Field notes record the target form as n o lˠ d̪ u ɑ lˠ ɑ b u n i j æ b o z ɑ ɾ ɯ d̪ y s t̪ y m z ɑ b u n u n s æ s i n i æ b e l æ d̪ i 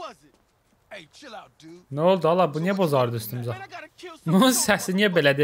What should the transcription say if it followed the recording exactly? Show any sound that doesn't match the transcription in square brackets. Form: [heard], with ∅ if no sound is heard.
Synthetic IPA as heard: n o lˠ d̪ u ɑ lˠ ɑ b u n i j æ b o z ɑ ɾ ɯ d̪ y s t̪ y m z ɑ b u n u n s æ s i n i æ b e l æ d̪ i